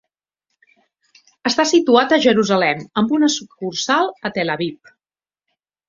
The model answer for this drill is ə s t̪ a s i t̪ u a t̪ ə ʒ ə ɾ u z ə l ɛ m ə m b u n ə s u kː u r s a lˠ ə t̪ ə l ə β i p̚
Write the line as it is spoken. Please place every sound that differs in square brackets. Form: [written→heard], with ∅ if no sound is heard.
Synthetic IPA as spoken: ə s t̪ a s i t̪ u a t̪ ə ʒ ə ɾ u z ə l ɛ m ə m b u n ə s u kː u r s a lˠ ə t̪ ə l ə β i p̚